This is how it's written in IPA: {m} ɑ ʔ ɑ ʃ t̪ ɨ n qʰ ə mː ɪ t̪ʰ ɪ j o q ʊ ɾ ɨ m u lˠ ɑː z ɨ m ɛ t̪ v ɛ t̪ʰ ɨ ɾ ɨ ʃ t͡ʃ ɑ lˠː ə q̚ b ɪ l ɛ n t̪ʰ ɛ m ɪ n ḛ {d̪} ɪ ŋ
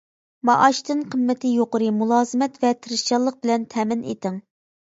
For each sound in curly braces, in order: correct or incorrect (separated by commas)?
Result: correct, incorrect